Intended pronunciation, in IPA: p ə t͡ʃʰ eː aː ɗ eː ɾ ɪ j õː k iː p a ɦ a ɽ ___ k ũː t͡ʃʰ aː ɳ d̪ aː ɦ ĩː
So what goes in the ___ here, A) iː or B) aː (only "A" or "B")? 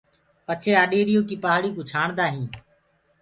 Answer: A